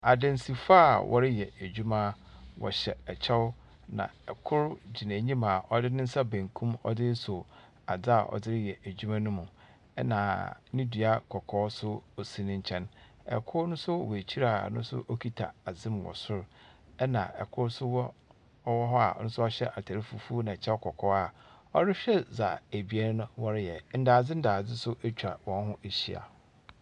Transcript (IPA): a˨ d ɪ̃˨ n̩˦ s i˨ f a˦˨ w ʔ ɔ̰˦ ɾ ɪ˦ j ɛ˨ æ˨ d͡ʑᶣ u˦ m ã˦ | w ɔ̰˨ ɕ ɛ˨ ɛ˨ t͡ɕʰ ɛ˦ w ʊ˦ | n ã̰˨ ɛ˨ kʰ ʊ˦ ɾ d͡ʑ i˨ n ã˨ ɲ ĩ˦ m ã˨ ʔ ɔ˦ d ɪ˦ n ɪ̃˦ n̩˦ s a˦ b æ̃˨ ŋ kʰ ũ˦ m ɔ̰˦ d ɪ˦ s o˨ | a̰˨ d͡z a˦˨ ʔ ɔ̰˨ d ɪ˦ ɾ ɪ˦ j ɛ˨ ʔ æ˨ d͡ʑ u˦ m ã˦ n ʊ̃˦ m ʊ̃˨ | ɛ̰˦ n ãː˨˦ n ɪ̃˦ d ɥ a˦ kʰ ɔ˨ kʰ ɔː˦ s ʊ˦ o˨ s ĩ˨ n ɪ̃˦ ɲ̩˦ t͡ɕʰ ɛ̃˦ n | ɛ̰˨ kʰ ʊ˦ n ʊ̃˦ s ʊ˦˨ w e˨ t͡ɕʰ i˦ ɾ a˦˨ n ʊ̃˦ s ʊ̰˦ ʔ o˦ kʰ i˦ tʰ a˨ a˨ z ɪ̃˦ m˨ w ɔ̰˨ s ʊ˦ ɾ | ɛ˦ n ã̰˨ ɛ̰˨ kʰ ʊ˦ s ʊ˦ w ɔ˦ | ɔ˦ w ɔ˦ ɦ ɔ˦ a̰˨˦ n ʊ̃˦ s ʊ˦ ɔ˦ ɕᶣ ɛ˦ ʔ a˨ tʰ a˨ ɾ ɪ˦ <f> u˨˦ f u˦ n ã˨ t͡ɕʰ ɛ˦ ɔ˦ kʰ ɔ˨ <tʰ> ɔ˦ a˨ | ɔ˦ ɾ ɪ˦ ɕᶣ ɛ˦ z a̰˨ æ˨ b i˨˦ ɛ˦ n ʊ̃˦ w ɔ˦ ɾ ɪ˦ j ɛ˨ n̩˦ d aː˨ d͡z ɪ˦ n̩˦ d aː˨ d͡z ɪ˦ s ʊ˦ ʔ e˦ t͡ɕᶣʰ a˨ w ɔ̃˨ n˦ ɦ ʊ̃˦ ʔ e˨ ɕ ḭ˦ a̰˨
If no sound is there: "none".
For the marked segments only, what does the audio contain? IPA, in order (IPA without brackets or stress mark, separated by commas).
f, kʰ